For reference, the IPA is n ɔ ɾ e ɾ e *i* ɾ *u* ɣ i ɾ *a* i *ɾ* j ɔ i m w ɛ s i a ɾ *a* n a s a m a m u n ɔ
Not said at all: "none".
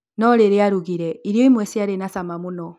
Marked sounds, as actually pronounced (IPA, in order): a, u, ɛ, ɾ, e

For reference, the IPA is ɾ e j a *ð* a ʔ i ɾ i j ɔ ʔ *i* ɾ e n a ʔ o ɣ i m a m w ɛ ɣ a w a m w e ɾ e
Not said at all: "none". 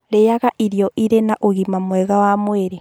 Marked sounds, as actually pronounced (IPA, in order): ɣ, i

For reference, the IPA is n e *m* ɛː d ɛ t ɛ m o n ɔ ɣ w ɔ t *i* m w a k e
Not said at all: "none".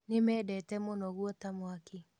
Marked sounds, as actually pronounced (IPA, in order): m, a

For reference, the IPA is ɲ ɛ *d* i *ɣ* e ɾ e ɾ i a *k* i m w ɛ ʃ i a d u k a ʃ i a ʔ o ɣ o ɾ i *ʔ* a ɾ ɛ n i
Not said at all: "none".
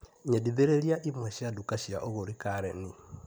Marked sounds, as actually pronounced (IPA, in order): d, ð, ʔ, k

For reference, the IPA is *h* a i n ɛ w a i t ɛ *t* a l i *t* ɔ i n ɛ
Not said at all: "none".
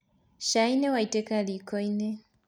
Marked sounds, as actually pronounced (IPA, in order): ʃ, k, k

